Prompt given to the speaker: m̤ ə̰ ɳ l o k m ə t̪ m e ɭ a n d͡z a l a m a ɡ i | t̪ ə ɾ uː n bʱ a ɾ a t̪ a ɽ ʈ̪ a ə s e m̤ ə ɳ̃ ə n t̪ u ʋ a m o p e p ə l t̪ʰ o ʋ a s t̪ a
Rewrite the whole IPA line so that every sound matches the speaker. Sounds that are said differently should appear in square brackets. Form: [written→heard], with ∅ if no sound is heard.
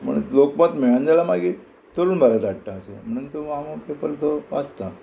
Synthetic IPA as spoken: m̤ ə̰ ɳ l o k m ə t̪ m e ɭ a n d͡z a l a m a ɡ i | t̪ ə ɾ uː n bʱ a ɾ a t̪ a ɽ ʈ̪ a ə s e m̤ ə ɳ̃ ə n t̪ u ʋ a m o p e p ə l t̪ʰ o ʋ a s t̪ a